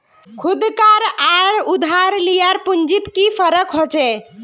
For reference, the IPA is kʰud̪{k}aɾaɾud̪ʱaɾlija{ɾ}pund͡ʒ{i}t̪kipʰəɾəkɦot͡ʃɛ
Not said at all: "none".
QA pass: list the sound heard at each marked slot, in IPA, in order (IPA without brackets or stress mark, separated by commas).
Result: k, ɾ, i